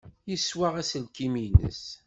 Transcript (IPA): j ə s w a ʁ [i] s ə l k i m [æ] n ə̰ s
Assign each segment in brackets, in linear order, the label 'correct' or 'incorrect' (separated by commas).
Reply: incorrect, incorrect